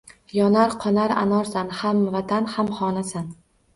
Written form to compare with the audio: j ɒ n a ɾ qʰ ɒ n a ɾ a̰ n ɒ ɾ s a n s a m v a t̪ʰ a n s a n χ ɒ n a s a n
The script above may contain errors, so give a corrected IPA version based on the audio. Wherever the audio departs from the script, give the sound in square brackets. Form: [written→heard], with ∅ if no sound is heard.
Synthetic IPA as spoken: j ɒ n a ɾ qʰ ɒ n a ɾ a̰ n ɒ ɾ s a n [s→h] a m v a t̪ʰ a n [s→h] a [n→m] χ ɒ n a s a n